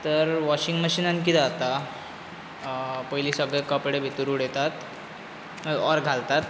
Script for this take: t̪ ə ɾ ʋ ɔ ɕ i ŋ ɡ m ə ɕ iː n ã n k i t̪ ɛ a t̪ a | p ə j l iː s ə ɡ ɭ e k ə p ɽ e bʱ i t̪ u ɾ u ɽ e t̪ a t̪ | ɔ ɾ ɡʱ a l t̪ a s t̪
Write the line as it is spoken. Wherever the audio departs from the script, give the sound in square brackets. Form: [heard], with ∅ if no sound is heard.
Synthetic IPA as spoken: t̪ ə ɾ ʋ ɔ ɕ i ŋ ɡ m ə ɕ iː n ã n k i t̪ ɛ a t̪ a | p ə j l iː s ə ɡ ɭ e k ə p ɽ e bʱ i t̪ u ɾ u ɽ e t̪ a t̪ | ɔ ɾ ɡʱ a l t̪ a [∅] t̪